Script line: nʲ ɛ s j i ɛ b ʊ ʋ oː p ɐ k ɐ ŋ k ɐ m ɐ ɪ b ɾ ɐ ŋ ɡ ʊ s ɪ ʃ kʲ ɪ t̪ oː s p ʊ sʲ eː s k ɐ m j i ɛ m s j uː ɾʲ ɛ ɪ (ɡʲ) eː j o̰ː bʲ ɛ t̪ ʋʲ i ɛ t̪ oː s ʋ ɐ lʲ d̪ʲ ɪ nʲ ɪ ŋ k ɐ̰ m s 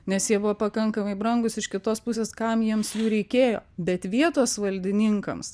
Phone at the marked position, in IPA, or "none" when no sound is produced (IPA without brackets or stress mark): kʲ